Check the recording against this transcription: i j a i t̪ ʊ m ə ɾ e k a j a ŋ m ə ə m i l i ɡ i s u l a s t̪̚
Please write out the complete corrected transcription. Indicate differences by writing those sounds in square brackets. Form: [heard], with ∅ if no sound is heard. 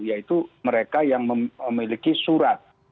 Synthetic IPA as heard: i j a i t̪ [u] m ə ɾ e k a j a ŋ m ə ə m i l i [k] i s u [ɾ] a [∅] t̪̚